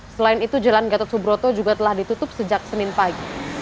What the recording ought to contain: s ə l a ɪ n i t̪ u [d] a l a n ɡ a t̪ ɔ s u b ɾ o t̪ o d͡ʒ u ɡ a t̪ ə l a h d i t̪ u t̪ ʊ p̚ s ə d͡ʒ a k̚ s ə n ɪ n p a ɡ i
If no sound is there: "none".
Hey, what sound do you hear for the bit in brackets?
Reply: d͡ʒ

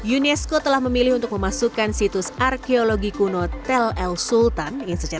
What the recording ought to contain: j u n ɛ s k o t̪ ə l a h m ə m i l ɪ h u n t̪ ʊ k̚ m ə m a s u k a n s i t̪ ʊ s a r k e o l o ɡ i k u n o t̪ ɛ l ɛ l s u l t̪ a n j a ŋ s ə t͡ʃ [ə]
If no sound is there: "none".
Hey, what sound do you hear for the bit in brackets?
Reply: a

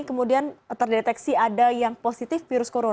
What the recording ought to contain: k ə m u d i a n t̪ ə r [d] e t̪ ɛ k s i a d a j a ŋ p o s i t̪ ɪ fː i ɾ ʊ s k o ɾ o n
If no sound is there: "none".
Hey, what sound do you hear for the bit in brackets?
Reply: d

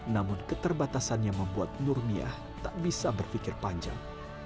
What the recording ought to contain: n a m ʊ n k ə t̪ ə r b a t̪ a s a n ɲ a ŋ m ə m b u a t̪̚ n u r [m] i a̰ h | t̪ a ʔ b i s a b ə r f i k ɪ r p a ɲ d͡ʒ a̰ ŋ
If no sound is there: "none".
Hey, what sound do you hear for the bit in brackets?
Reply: m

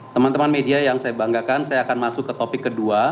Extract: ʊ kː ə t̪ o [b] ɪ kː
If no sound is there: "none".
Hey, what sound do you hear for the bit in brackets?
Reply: p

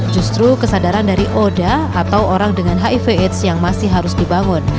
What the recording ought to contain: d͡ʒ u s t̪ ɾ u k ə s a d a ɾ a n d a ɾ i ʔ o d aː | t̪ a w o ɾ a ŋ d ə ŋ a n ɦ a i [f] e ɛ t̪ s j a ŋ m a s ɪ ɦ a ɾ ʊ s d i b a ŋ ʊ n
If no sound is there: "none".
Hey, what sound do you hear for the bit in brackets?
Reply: f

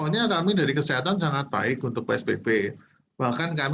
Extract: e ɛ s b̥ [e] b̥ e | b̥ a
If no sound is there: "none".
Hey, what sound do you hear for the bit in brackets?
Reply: e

